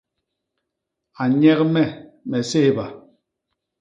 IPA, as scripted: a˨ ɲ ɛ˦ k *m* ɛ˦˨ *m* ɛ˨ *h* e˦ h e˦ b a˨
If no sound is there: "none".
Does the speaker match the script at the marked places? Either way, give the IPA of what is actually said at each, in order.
m, m, s

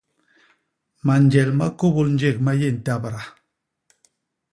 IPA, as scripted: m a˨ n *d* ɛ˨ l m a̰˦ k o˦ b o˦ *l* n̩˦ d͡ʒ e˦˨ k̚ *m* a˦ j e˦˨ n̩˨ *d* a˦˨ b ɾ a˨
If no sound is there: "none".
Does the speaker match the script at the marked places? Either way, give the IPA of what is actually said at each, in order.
d͡ʒ, l, m, t

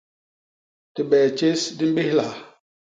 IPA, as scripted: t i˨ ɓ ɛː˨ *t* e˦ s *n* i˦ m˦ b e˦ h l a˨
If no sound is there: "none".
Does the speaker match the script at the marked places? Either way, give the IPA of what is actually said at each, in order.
t͡ʃ, d

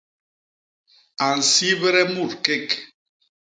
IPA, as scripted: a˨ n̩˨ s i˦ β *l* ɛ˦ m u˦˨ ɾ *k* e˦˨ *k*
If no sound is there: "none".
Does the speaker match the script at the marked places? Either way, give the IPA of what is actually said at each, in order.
ɾ, k, k

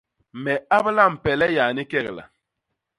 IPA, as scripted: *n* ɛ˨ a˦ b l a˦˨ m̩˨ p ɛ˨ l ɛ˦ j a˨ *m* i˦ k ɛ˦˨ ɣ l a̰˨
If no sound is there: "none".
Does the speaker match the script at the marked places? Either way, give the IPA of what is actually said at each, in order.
m, n

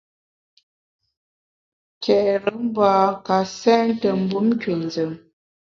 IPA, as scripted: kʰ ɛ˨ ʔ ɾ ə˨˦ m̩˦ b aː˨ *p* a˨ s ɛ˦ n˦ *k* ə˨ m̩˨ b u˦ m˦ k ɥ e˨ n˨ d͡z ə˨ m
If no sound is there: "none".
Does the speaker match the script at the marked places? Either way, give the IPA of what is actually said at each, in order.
k, t

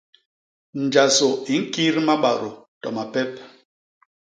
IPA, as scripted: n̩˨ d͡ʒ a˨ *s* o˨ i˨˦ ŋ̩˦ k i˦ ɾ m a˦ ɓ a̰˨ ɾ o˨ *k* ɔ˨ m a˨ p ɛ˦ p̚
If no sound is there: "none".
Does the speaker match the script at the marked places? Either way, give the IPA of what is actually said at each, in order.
s, t

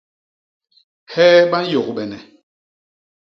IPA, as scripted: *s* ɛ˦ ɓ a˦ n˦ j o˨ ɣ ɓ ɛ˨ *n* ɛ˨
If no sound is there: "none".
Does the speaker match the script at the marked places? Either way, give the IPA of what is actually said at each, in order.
h, n

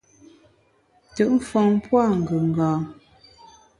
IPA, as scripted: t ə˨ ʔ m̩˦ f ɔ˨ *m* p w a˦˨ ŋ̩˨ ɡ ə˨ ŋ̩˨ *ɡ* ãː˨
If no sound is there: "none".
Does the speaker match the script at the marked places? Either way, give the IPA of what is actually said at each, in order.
ŋ, ɡ

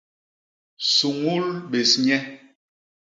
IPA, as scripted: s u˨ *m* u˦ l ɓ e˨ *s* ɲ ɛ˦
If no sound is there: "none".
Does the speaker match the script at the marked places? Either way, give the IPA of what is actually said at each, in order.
ŋ, s

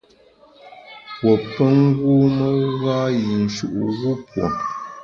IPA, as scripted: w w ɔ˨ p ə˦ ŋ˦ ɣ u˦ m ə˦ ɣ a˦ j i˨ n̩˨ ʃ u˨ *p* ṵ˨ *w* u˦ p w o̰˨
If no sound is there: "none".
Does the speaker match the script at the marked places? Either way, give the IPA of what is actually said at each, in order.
ʔ, ɣ

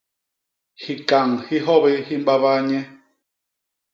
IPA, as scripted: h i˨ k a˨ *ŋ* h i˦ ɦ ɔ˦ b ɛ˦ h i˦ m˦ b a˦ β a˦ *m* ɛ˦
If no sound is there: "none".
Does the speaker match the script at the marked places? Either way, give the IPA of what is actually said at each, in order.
ŋ, ɲ

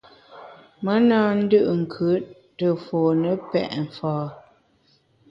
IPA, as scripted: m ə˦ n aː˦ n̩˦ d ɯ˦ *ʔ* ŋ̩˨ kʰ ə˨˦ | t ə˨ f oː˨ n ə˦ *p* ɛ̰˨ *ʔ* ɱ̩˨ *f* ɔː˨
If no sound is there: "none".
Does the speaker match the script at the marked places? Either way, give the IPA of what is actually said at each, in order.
ʔ, p, ʔ, f

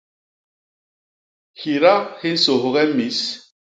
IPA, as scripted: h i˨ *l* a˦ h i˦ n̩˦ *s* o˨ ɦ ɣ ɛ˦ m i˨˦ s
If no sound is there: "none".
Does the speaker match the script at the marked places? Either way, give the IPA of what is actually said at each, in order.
ɾ, s

